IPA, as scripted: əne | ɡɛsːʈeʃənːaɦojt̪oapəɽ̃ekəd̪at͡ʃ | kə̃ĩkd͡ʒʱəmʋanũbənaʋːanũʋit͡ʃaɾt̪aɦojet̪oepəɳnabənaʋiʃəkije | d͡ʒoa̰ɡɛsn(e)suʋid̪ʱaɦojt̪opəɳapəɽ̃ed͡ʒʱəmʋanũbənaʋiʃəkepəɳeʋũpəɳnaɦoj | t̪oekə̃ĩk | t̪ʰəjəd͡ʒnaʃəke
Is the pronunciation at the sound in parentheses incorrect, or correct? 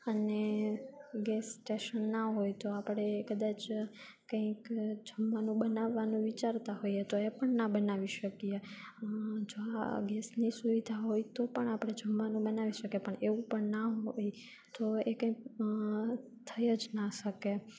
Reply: incorrect